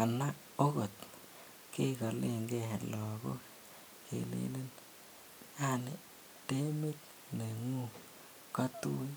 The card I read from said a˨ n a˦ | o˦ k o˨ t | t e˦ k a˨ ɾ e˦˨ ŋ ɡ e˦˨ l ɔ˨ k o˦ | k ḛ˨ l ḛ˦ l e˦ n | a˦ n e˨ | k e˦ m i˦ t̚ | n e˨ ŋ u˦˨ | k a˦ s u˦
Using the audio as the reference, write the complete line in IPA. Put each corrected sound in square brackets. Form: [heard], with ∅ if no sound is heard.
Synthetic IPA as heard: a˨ n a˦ | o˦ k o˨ t | [k] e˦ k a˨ [l] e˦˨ ŋ ɡ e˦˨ l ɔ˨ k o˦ | k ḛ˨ l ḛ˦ l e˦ n | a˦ n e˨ | [t] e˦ m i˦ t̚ | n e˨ ŋ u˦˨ | k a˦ [t] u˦

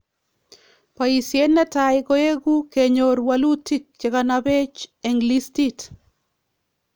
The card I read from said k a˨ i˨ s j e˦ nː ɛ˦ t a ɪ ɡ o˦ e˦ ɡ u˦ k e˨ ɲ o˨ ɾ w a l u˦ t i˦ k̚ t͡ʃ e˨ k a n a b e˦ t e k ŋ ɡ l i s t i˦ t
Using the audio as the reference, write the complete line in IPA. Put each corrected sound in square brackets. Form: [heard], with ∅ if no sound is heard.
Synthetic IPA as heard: [p] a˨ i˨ s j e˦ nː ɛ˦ t a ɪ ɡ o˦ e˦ ɡ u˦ k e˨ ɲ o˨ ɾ w a l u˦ t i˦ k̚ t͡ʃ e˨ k a n a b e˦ [t͡ʃ] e [∅] ŋ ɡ l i s t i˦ t

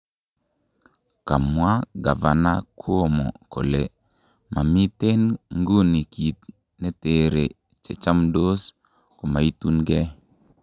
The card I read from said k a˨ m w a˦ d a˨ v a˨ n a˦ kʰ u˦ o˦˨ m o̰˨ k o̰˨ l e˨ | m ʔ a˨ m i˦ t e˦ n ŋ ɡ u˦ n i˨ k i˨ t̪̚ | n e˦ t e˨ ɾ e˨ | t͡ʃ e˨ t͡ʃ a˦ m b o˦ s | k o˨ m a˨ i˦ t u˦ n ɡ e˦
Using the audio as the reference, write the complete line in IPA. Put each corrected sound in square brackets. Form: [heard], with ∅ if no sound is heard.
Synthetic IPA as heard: k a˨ m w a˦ [ɡ] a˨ v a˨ n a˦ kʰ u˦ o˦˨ m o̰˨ k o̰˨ l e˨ | m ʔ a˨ m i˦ t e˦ n ŋ ɡ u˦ n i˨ k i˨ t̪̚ | n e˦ t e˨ ɾ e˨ | t͡ʃ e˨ t͡ʃ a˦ m [d] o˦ s | k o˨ m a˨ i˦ t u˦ n ɡ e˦

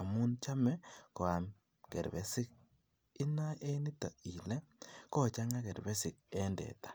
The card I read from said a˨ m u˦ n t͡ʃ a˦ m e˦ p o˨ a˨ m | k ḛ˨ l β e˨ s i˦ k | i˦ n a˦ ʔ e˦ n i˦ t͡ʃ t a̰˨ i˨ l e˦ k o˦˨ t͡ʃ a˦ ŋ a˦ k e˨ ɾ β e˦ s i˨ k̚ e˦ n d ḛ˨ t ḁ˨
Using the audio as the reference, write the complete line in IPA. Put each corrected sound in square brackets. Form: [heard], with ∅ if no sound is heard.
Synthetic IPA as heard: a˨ m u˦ n t͡ʃ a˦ m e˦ [k] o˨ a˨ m | k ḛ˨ [ɾ] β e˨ s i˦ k | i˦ n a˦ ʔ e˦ n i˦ [∅] t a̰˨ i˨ l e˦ k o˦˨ t͡ʃ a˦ ŋ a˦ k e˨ ɾ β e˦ s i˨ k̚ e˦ n d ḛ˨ t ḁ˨

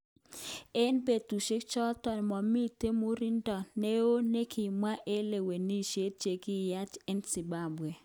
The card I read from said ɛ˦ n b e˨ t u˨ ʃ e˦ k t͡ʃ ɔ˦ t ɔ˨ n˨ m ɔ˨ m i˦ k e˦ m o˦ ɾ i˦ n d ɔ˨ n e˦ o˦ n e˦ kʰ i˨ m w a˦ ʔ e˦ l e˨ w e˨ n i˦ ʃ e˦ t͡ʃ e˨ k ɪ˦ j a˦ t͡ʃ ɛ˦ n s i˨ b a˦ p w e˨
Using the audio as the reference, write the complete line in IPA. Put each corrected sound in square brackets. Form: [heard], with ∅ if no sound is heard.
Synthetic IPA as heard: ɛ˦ n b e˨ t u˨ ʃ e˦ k t͡ʃ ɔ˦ t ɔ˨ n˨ m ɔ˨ m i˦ [t] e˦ m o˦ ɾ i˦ n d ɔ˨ n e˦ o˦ n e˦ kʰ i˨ m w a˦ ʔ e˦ l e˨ w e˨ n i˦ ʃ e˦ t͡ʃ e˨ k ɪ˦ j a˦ t͡ʃ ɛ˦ n s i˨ b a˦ [b] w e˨

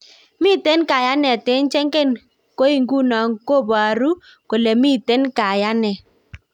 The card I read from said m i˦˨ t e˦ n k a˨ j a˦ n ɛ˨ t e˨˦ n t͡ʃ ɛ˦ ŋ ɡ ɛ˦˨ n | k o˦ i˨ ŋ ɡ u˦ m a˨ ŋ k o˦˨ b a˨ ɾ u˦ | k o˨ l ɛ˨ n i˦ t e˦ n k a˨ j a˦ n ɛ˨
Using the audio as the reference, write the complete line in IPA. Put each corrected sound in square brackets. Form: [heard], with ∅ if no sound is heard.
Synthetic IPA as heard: m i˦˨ t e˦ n k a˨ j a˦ n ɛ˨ t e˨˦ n t͡ʃ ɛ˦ ŋ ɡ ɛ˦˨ n | k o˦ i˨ ŋ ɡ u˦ [n] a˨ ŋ k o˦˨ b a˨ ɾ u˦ | k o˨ l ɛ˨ [m] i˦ t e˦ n k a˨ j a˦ n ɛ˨

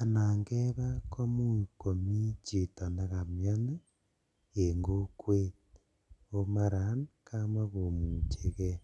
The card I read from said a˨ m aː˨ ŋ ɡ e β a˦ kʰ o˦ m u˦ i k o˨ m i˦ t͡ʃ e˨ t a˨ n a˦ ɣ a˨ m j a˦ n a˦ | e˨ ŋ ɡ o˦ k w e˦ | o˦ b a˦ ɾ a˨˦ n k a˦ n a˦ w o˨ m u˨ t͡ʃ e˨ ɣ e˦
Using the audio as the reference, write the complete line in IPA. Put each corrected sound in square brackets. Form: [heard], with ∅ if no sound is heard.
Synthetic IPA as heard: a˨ [n] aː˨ ŋ ɡ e β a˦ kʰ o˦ m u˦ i k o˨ m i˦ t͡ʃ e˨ t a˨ n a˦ ɣ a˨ m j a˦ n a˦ | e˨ ŋ ɡ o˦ k w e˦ | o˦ [m] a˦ ɾ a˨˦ n k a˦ [m] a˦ [ɣ] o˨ m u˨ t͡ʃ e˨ ɣ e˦

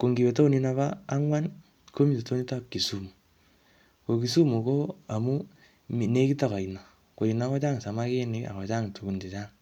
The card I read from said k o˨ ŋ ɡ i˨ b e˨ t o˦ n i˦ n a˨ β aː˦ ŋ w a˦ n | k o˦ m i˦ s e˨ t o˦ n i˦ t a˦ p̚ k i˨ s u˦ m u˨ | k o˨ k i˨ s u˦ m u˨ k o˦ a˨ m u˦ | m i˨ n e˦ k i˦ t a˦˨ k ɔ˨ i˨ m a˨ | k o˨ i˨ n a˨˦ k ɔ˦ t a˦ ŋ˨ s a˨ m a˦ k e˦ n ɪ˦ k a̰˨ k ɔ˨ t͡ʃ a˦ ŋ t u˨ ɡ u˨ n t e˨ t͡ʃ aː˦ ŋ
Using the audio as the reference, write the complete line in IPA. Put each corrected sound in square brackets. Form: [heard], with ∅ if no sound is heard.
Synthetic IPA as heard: k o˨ ŋ ɡ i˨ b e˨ t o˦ n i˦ n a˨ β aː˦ ŋ w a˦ n | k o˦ m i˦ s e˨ t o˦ n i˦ t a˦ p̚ k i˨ s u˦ m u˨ | k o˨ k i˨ s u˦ m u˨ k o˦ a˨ m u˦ | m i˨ n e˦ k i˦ t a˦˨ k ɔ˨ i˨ [n] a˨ | k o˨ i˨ n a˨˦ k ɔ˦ [t͡ʃ] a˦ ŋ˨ s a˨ m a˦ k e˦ n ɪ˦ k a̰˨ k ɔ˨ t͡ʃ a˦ ŋ t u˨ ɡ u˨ n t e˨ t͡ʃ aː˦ ŋ

